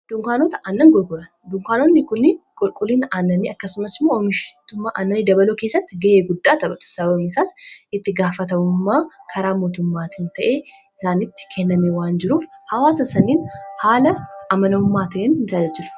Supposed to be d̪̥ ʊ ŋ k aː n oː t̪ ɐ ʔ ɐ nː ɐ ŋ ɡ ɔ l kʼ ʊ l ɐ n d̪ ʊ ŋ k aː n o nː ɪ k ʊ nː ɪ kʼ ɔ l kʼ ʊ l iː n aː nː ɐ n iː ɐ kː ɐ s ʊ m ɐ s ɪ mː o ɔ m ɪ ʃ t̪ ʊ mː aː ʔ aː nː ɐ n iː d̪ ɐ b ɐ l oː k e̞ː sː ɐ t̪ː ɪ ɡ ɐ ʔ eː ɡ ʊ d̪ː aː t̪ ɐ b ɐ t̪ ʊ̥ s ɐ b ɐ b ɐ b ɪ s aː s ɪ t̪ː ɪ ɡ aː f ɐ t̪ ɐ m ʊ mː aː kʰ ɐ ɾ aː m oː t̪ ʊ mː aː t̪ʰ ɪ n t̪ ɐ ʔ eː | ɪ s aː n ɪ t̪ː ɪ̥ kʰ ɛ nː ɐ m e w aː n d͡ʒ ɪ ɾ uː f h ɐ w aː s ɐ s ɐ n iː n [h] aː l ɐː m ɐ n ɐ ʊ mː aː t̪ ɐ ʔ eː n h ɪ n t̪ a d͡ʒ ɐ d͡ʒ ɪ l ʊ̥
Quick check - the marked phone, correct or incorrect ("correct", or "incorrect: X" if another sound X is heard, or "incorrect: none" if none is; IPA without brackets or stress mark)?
correct